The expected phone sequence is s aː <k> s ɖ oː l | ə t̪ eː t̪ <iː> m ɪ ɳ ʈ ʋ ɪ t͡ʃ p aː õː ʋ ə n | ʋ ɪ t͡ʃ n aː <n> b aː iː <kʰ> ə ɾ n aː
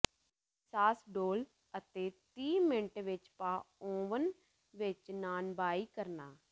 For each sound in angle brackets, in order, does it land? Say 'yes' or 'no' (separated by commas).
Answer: no, yes, yes, no